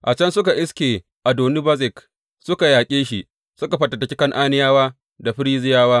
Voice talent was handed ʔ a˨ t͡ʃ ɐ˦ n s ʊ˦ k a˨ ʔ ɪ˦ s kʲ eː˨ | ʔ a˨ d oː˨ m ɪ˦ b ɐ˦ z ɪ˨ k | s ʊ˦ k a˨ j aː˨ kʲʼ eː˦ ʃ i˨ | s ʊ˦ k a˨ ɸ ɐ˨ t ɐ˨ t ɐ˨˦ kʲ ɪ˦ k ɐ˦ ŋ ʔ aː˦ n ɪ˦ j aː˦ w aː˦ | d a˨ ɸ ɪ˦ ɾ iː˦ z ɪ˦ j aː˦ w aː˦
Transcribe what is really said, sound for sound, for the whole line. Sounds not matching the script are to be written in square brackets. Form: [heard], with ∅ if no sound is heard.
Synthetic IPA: ʔ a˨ t͡ʃ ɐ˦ n s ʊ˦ k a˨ ʔ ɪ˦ s kʲ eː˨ | ʔ a˨ d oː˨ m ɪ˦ b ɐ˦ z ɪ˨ k | s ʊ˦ k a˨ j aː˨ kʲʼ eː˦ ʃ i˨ | s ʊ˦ k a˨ ɸ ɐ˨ t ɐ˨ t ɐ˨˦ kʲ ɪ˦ k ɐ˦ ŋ ʔ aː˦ n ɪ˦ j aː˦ w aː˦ | d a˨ ɸ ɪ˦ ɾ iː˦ z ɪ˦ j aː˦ w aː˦